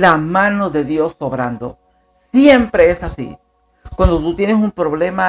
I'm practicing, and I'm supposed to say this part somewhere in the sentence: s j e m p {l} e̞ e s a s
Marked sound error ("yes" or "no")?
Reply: yes